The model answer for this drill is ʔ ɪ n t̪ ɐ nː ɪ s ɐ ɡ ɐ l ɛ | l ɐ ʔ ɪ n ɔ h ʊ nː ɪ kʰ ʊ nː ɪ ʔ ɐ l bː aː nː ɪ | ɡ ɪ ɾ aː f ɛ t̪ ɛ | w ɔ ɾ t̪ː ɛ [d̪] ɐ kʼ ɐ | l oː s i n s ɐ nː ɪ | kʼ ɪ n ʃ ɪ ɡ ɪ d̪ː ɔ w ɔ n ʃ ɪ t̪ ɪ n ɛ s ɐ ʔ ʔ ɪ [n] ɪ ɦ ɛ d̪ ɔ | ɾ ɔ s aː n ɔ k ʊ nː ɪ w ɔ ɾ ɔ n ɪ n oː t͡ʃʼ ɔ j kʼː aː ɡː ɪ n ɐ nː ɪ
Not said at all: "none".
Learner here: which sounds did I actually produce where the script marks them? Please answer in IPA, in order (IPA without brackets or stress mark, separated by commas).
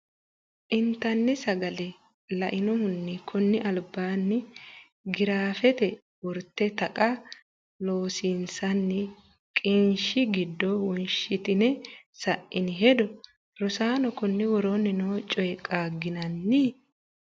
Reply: t̪, n